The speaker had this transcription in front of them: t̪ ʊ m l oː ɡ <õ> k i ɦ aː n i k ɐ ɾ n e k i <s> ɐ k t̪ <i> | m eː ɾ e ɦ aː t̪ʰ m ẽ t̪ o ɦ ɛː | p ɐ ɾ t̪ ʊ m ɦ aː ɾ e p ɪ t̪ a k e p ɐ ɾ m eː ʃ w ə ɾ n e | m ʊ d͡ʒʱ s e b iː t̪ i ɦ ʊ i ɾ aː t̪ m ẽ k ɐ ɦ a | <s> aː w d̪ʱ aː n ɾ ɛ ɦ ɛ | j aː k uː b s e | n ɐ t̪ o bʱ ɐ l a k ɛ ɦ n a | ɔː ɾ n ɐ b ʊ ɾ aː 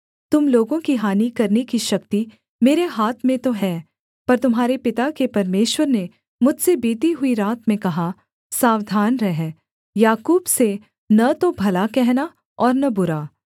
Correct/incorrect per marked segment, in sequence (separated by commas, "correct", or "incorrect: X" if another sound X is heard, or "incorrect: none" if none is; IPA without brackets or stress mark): correct, incorrect: ʃ, correct, correct